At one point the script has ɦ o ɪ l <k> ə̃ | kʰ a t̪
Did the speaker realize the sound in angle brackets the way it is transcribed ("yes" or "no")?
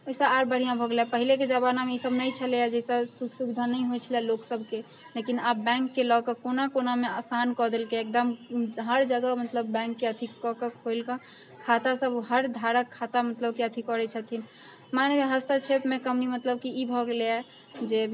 yes